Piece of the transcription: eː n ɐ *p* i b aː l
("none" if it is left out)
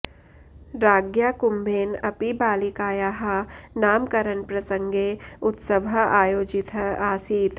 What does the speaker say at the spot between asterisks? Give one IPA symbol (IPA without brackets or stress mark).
p